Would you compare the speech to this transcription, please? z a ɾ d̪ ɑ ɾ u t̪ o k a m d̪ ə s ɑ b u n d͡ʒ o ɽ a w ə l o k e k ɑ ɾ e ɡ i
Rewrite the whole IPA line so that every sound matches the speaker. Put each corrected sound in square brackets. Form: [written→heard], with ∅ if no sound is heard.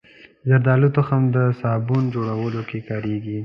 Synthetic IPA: z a ɾ d̪ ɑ [ɾ→l] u t̪ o [k→x] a m d̪ ə s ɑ b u n d͡ʒ o ɽ a w ə l o k e k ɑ ɾ e ɡ i